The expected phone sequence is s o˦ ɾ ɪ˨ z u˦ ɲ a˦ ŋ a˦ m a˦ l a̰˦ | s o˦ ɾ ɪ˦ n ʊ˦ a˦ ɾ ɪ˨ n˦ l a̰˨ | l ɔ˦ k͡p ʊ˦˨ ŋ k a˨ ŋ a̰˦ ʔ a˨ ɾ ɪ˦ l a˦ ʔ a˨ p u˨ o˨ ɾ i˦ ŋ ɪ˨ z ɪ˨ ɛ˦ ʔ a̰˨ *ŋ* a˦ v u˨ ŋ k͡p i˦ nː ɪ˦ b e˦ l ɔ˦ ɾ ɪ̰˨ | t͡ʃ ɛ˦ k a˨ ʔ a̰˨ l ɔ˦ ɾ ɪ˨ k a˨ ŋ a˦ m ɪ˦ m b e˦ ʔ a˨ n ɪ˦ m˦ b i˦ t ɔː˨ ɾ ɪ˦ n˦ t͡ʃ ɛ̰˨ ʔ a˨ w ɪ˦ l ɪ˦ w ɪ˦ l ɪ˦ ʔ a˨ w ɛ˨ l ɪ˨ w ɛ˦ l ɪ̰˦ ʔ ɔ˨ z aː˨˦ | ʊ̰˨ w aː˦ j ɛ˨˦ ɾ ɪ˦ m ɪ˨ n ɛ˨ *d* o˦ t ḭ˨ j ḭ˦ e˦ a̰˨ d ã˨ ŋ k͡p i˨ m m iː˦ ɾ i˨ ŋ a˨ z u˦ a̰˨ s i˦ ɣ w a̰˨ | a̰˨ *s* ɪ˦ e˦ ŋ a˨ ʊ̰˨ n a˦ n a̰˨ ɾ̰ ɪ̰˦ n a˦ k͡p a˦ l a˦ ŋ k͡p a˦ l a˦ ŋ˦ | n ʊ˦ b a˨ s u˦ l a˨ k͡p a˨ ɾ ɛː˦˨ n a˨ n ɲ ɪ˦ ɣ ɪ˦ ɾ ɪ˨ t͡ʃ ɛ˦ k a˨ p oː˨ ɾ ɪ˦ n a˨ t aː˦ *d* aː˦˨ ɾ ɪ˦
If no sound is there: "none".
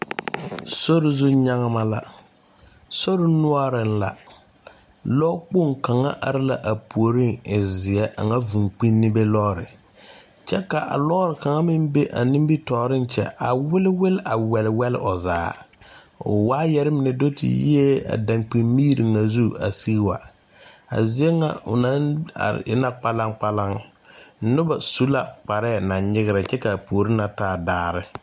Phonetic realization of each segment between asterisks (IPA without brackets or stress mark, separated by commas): ŋ, d, z, d